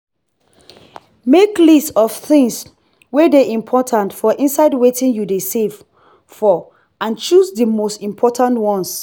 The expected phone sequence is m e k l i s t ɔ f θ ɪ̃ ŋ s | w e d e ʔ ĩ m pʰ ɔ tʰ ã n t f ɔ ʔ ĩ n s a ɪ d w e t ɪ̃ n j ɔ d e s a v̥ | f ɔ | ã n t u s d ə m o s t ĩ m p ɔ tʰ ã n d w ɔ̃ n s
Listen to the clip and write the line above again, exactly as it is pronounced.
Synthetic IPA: m e k l i s t ɔ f θ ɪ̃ ŋ s | w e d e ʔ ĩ m pʰ ɔ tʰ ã n t f ɔ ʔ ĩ n s a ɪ d w e t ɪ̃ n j u d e s e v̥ | f ɔ | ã n t͡ʃ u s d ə m o s t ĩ m pʰ ɔ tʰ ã n t w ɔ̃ n s